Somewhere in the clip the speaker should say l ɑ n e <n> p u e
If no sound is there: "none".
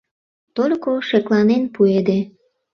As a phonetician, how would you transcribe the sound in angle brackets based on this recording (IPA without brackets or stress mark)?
n